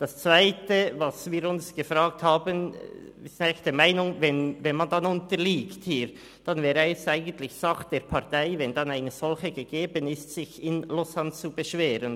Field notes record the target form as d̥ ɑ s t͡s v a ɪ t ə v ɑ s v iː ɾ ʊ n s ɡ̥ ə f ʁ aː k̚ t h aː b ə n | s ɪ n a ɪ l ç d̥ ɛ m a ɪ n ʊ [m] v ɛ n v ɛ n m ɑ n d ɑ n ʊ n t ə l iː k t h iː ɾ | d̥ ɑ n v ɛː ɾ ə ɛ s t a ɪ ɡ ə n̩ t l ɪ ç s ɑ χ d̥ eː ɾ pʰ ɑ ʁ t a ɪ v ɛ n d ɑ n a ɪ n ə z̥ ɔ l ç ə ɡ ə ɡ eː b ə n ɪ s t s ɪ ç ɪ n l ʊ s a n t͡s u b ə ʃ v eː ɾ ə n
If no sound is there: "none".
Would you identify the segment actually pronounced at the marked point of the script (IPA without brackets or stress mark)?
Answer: ŋ